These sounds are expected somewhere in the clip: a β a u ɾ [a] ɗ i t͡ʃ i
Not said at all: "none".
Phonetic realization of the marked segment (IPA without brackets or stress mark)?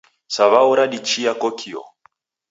a